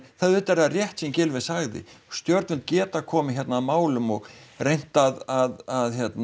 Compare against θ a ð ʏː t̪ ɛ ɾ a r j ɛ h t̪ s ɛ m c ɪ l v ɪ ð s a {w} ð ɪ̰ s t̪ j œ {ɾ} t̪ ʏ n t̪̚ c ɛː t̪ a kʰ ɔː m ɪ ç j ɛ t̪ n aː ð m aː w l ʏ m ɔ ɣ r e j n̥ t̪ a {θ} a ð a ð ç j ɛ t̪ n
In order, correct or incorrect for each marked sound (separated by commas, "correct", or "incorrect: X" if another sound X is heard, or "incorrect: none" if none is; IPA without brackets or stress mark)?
incorrect: ɣ, correct, incorrect: ð